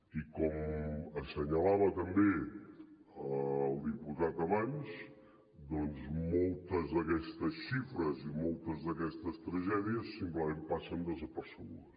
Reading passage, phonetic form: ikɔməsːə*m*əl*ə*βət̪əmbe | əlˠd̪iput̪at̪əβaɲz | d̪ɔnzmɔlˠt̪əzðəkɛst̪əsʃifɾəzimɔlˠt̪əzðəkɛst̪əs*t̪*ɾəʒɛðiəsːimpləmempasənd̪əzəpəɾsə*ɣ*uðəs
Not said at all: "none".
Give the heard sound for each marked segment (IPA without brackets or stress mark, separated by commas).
ɲ, a, t̪, ɣ